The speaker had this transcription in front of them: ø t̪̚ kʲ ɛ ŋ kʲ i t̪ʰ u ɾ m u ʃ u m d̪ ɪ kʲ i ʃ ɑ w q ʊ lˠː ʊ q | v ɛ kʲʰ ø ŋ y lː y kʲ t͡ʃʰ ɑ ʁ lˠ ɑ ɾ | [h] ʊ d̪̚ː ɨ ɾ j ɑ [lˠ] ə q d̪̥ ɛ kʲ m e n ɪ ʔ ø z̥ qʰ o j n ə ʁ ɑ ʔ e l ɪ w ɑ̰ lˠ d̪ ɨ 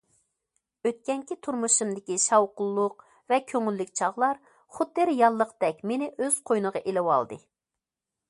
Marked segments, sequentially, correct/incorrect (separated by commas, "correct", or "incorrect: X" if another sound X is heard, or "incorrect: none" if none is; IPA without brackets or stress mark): incorrect: χ, incorrect: lˠː